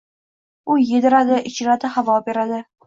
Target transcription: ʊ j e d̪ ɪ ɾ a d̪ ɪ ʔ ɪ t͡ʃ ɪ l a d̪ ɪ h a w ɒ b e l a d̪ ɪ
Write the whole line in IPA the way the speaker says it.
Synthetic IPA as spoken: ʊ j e d̪ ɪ ɾ a d̪ ɪ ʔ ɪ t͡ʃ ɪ ɾ a d̪ ɪ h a v ɒ b e ɾ a d̪ ɪ